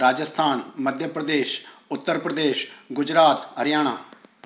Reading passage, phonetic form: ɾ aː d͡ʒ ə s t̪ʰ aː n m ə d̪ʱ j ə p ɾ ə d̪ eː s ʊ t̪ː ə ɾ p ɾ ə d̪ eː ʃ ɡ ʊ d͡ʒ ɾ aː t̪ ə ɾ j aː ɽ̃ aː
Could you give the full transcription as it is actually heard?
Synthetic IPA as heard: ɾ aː d͡ʒ ə s t̪ʰ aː n m ə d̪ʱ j ə p ɾ ə d̪ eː ʃ ʊ t̪ː ə ɾ p ɾ ə d̪ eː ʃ ɡ ʊ d͡ʒ ɾ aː t̪ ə ɾ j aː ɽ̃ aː